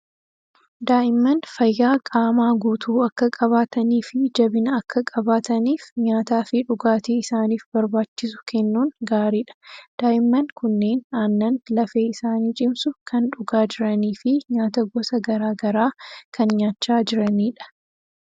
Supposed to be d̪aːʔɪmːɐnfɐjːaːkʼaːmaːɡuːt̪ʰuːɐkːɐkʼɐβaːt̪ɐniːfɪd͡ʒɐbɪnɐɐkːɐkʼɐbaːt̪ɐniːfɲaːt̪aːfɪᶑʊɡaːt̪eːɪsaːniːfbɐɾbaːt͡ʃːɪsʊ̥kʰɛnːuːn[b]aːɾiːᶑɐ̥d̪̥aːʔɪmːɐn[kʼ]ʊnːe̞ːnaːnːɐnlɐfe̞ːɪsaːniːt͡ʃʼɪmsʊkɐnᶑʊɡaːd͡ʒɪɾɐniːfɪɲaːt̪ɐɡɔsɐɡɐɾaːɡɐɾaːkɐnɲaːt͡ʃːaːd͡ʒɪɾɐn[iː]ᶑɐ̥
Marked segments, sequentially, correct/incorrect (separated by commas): incorrect, incorrect, correct